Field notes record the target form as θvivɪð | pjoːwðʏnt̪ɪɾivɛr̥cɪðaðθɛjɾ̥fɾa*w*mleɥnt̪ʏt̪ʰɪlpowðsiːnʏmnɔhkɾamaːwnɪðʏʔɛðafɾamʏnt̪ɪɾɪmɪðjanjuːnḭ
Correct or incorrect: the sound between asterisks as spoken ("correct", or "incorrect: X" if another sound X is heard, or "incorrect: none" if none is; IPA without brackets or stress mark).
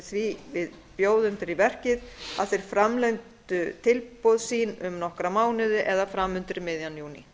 incorrect: none